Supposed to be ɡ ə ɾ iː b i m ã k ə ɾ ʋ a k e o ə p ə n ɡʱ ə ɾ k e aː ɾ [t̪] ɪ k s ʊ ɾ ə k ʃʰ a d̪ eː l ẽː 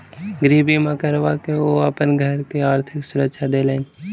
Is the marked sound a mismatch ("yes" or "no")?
yes